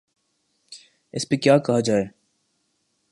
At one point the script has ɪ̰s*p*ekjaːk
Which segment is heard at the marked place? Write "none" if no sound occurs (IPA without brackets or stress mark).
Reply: p